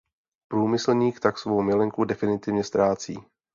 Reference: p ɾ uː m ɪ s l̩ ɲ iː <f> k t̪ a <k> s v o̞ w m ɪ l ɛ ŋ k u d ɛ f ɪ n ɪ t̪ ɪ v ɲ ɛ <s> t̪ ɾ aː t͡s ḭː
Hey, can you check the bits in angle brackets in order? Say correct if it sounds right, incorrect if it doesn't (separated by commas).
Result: incorrect, correct, correct